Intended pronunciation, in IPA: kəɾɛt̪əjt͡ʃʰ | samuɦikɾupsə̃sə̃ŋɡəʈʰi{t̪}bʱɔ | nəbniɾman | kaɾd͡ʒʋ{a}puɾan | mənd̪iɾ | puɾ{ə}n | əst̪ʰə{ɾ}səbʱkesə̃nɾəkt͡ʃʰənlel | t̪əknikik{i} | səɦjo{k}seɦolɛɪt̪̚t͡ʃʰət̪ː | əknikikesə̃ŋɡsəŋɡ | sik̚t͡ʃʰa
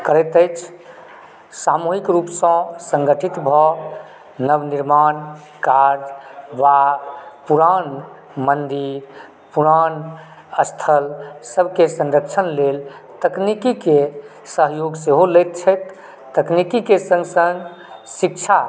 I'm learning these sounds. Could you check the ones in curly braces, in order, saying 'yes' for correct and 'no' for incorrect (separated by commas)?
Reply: yes, yes, no, no, no, no